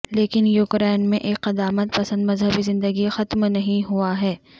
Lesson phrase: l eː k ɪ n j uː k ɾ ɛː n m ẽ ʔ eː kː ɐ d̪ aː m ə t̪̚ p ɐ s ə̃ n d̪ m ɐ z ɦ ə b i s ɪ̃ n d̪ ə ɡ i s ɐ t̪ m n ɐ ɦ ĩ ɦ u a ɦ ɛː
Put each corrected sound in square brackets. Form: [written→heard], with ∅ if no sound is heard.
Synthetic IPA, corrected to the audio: l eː k ɪ n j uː k ɾ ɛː n m ẽ ʔ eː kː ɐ d̪ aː m ə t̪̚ p ɐ s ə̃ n d̪ m ɐ z ɦ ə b i [s→z] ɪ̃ n d̪ ə ɡ i [s→x] ɐ t̪ m n ɐ ɦ ĩ ɦ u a ɦ ɛː

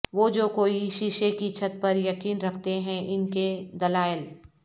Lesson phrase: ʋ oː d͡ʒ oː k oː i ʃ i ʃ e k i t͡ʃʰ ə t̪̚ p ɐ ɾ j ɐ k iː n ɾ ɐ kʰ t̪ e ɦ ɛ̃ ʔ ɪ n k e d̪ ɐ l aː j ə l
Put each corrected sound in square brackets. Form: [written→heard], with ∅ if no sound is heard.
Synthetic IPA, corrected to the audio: ʋ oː d͡ʒ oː k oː i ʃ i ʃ e k i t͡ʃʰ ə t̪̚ p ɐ ɾ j ɐ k iː n ɾ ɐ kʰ t̪ e ɦ ɛ̃ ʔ ɪ n k e d̪ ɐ l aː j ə l

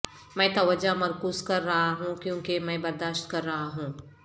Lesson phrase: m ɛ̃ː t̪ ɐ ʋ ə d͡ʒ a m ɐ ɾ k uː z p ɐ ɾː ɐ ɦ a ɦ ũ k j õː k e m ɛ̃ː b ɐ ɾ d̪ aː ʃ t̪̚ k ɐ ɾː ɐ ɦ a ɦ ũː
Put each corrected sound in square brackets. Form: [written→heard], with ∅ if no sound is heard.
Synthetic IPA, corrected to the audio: m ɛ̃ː t̪ ɐ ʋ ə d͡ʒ a m ɐ ɾ k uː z [p→k] ɐ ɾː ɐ ɦ a ɦ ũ k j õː k e m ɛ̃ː b ɐ ɾ d̪ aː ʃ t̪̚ k ɐ ɾː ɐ ɦ a ɦ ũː

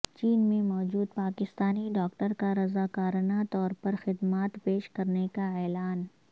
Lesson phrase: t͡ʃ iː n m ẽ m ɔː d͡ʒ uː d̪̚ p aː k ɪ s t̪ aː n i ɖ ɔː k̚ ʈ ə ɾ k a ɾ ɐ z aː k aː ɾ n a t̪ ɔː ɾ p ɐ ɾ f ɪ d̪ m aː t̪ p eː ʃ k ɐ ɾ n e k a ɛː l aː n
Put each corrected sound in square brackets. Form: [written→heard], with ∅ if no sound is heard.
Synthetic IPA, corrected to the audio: t͡ʃ iː n m ẽ m ɔː d͡ʒ uː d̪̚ p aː k ɪ s t̪ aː n i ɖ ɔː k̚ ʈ ə ɾ k a ɾ ɐ z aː k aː ɾ n a t̪ ɔː ɾ p ɐ ɾ [f→x] ɪ d̪ m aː t̪ p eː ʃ k ɐ ɾ n e k a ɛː l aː n

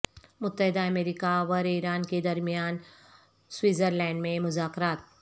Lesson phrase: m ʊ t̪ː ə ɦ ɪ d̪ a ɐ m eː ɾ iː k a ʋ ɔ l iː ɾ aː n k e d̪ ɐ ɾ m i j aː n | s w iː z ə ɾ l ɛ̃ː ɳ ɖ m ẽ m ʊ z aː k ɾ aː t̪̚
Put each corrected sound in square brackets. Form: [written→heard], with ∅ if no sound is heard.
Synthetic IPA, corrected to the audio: m ʊ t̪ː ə ɦ ɪ d̪ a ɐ m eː ɾ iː k a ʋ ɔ [l→ɾ] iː ɾ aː n k e d̪ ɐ ɾ m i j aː n | s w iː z ə ɾ l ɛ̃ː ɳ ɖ m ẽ m ʊ z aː k ɾ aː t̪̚

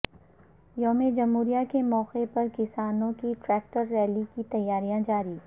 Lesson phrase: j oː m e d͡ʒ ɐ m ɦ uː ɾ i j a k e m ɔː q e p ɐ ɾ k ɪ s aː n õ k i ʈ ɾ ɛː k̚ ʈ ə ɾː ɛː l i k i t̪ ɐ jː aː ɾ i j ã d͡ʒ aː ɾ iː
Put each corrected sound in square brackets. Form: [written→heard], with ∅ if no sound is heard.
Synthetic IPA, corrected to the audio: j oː m e d͡ʒ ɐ m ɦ uː ɾ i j a k e m ɔː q e p ɐ ɾ k ɪ s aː n õ k i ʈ ɾ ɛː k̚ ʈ ə ɾː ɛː l i k i t̪ ɐ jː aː ɾ i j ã d͡ʒ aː ɾ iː

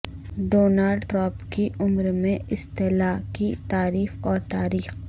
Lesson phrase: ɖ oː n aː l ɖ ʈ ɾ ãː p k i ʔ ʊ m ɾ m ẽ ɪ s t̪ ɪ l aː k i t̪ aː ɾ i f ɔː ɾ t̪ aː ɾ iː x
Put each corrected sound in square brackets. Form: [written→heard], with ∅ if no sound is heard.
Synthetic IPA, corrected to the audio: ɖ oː n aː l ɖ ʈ ɾ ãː p k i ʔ ʊ m ɾ m ẽ ɪ s t̪ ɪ l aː k i t̪ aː ɾ [i→iː] f ɔː ɾ t̪ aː ɾ iː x

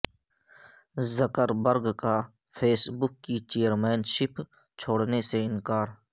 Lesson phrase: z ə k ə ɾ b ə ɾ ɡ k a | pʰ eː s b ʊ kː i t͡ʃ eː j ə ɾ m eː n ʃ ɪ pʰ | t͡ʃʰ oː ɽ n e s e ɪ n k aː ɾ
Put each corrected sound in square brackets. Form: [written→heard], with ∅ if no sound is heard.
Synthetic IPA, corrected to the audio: z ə k ə ɾ b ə ɾ ɡ k a | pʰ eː s b ʊ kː i t͡ʃ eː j ə ɾ m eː n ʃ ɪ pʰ | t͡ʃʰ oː ɽ n e s e ɪ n k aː ɾ

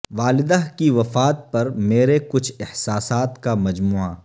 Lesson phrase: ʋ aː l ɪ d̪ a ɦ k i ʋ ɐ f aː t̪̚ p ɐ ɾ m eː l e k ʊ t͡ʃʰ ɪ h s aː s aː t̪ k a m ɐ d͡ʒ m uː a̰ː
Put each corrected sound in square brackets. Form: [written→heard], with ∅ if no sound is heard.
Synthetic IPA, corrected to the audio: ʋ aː l ɪ d̪ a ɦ k i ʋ ɐ f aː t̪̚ p ɐ ɾ m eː [l→ɾ] e k ʊ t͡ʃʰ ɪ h s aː s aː t̪ k a m ɐ d͡ʒ m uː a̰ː

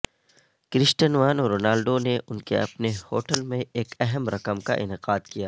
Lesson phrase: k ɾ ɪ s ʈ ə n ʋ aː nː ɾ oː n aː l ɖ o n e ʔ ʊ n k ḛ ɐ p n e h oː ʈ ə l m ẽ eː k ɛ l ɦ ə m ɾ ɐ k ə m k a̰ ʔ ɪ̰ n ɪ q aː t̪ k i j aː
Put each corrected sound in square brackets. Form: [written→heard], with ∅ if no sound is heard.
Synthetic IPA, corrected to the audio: k ɾ ɪ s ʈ ə n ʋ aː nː ɾ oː n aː l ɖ o n e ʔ ʊ n k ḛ ɐ p n e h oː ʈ ə l m ẽ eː k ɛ [l→∅] ɦ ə m ɾ ɐ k ə m k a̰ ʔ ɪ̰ n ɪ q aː [t̪→d̪] k i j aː

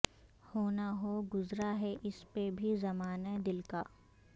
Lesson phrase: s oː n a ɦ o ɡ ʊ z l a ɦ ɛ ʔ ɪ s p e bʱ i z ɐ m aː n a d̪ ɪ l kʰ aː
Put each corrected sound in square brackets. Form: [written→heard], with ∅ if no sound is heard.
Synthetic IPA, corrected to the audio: [s→h] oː n a ɦ o ɡ ʊ z [l→ɾ] a ɦ ɛ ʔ ɪ s p e bʱ i z ɐ m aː n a d̪ ɪ l [kʰ→k] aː

